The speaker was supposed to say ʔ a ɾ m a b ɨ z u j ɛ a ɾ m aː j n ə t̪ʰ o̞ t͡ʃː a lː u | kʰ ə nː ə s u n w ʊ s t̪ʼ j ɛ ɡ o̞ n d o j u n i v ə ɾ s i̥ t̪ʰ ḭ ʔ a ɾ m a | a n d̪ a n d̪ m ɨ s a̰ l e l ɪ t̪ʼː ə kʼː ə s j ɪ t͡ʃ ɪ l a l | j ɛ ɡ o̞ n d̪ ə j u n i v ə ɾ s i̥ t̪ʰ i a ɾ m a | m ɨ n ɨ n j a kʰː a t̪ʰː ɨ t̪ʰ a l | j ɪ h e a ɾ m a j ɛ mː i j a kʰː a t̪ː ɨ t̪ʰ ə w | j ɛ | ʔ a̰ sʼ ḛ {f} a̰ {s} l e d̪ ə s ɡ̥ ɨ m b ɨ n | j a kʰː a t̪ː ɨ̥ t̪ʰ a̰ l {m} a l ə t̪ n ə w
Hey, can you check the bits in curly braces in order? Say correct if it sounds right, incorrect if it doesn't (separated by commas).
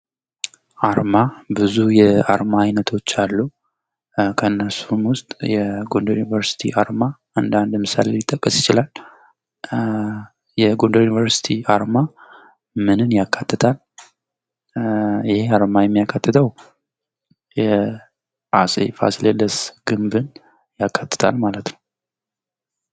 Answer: correct, correct, correct